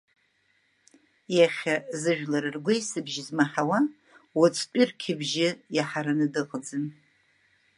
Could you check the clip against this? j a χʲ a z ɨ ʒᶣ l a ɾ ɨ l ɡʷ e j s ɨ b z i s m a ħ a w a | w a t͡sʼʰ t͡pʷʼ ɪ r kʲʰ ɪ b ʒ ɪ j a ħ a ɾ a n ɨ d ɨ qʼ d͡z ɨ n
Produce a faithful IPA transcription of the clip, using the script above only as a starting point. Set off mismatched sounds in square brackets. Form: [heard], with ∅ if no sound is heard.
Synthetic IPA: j a χʲ a z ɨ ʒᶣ l a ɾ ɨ [r] ɡʷ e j s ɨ b [ʒ] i [z] m a ħ a w a | w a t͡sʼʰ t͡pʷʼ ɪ r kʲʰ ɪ b ʒ ɪ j a ħ a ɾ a n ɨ d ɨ qʼ d͡z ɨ n